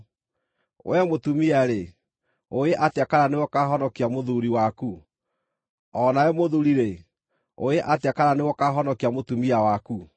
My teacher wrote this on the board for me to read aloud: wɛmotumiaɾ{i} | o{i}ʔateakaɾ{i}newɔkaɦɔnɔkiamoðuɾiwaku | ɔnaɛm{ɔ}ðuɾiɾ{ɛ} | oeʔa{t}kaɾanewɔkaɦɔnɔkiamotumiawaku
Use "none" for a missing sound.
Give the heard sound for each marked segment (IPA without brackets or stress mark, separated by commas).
e, e, a, o, e, t